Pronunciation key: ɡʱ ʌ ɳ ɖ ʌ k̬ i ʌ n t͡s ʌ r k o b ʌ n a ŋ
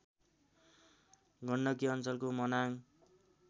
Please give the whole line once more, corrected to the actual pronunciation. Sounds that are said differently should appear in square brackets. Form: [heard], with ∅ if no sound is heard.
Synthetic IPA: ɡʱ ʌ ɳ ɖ ʌ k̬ i ʌ n t͡s ʌ [l] k o [m] ʌ n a ŋ